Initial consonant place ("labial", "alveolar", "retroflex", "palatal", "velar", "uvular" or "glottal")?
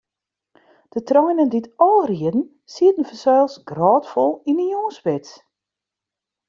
alveolar